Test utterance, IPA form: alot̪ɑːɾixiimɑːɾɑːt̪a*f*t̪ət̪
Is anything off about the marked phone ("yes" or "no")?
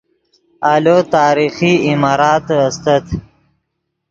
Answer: yes